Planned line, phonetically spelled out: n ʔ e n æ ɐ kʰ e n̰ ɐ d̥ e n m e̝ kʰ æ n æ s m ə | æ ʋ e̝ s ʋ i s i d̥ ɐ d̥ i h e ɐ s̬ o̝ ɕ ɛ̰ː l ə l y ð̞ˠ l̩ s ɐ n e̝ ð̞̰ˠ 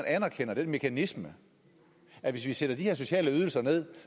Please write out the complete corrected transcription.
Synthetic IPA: n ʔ æ n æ ɐ kʰ e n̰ ɐ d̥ e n m e̝ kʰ æ n i s m ə | æ ʋ e̝ s ʋ i s e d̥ ɐ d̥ i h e ɐ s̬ o̝ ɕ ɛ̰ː l ə y ð̞ˠ l̩ s ɐ n e̝ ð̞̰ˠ

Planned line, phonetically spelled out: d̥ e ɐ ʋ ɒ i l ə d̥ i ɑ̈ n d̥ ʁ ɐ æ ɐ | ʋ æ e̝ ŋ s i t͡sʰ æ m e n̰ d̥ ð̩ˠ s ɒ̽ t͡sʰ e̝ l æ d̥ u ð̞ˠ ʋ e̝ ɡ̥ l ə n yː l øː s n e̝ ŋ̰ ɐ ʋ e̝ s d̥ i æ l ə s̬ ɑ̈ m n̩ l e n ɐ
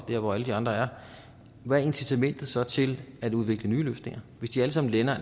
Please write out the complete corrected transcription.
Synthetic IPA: d̥ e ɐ ʋ ɒ æ l ə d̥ i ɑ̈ n d̥ ʁ ɐ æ ɐ | ʋ æ e̝ n s i t͡sʰ æ m e n̰ d̥ ð̩ˠ s ɒ̽ t͡sʰ e̝ l æ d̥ u ð̞ˠ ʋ e̝ ɡ̥ l ə n yː l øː s n e̝ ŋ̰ ɐ ʋ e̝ s d̥ i æ l ə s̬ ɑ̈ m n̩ l e n ɐ

